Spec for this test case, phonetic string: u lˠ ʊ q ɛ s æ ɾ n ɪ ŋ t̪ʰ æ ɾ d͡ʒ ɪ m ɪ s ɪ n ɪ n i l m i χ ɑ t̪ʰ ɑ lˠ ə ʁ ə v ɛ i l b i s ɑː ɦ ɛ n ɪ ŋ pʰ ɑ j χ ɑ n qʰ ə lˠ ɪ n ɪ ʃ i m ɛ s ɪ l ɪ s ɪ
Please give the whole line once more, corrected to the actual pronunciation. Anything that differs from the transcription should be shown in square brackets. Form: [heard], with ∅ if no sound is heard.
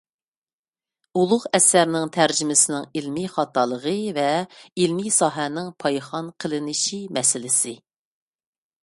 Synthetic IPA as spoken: u lˠ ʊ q ɛ s æ ɾ n ɪ ŋ t̪ʰ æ ɾ d͡ʒ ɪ m ɪ s ɪ n ɪ [ŋ] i l m i χ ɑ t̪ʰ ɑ lˠ ə ʁ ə v ɛ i l [m] i s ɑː ɦ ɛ n ɪ ŋ pʰ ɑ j χ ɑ n qʰ ə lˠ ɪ n ɪ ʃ i m ɛ s ɪ l ɪ s ɪ